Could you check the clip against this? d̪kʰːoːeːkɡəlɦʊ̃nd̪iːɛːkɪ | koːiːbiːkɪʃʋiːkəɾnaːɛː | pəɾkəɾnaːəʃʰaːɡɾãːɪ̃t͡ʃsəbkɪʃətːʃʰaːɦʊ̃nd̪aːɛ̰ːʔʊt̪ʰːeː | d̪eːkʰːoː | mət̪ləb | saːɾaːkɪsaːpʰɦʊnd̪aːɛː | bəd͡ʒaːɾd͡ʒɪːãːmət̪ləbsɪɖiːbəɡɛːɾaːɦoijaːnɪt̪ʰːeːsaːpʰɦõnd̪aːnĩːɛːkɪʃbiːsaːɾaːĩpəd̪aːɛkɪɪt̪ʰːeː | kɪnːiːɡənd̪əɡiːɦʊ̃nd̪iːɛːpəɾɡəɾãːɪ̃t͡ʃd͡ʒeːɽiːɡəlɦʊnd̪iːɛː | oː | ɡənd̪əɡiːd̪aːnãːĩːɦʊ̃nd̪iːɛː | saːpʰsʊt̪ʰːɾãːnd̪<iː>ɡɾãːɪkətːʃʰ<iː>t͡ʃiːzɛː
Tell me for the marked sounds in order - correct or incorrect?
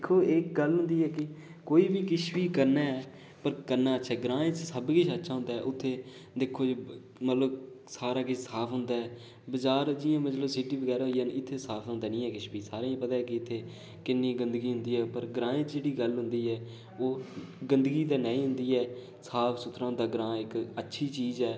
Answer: incorrect, correct

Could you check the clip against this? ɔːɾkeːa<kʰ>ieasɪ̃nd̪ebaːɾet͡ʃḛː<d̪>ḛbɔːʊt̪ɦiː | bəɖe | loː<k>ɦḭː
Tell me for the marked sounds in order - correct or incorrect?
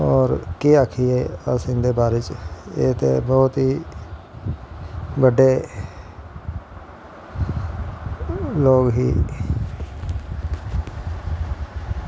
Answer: correct, incorrect, incorrect

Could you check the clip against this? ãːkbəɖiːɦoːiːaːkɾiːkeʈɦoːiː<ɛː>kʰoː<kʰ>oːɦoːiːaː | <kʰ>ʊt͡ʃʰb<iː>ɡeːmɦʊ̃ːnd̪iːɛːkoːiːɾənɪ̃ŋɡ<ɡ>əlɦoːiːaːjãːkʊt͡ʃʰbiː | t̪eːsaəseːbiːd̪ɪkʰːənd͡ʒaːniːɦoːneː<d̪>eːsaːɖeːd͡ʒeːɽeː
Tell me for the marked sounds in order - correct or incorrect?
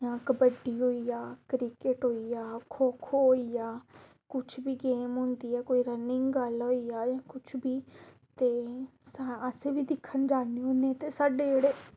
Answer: incorrect, correct, incorrect, correct, correct, incorrect

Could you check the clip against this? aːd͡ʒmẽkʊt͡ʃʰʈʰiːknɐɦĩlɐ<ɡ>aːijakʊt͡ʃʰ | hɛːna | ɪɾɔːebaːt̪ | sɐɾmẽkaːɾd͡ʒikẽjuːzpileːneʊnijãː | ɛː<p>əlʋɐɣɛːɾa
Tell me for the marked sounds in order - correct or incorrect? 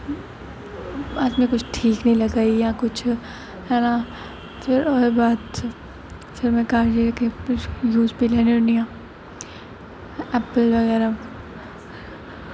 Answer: correct, correct

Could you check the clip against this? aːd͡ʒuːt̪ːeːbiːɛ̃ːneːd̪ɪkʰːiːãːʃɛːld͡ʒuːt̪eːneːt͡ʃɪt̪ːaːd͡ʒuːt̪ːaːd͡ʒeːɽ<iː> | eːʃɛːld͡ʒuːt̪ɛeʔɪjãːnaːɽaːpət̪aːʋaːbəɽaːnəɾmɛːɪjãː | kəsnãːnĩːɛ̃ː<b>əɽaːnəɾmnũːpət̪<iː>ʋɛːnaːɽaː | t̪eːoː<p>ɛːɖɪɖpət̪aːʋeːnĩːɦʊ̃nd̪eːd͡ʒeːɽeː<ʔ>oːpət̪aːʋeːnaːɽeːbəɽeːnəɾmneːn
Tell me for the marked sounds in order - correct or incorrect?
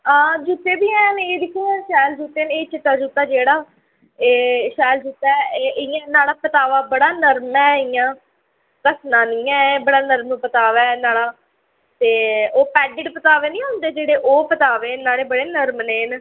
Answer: incorrect, correct, incorrect, correct, correct

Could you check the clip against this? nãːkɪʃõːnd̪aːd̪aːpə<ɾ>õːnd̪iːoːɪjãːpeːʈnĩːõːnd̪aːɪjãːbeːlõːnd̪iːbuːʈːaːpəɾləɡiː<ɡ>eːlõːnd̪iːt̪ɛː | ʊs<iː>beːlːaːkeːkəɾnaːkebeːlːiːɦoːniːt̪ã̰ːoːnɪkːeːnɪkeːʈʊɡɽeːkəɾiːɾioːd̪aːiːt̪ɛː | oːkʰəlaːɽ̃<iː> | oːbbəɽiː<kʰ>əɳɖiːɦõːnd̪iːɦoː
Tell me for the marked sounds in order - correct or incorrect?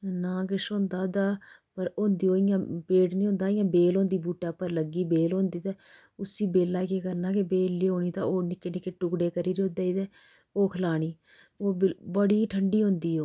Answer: correct, incorrect, correct, correct, incorrect

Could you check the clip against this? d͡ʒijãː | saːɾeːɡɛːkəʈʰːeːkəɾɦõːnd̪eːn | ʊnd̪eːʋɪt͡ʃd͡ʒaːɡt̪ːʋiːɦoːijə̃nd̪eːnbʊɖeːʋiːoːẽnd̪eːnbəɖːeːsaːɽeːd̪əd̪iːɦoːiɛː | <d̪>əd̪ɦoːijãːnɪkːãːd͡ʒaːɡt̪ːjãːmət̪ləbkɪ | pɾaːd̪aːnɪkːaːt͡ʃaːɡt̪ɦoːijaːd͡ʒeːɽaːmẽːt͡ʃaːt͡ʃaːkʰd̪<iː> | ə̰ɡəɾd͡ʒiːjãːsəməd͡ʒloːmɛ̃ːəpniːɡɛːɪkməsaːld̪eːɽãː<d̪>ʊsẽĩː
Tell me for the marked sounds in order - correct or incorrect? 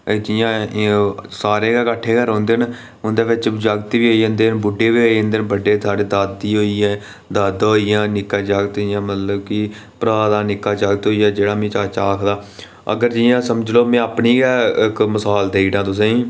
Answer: correct, incorrect, incorrect

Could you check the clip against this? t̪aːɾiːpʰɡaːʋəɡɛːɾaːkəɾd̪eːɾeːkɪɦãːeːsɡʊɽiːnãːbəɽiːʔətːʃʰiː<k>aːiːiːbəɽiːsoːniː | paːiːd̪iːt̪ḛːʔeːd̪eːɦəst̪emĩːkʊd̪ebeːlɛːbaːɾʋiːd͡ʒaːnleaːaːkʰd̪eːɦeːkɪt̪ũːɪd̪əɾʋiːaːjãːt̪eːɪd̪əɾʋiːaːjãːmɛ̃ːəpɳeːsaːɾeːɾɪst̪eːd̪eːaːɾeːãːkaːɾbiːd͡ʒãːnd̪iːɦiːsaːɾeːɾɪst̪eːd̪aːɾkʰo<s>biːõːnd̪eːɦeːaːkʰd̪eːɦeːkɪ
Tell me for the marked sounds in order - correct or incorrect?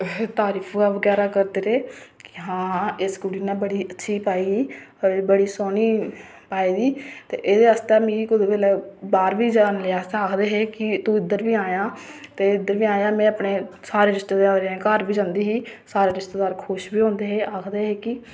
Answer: incorrect, incorrect

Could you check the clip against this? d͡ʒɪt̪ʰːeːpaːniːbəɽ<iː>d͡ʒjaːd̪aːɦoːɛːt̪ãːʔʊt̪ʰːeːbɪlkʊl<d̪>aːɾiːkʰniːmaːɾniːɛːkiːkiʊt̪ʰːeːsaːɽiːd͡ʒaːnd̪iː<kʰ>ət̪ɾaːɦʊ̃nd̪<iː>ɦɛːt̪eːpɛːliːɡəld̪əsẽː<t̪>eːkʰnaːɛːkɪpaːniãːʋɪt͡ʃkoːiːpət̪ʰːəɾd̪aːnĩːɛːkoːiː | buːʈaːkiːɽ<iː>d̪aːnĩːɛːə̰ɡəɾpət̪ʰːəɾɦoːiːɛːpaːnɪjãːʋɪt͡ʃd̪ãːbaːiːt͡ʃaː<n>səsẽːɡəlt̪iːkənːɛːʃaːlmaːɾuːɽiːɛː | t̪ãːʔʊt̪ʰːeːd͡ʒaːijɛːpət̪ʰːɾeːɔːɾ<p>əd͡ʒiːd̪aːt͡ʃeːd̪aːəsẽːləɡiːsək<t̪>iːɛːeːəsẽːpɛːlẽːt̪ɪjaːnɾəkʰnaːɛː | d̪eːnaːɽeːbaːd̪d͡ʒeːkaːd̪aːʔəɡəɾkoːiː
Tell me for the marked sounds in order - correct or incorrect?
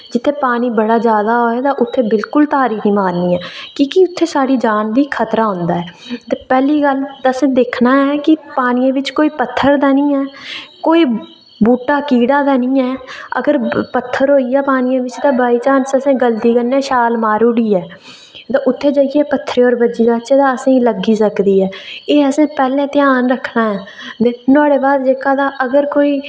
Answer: incorrect, incorrect, correct, incorrect, incorrect, incorrect, correct, incorrect, incorrect

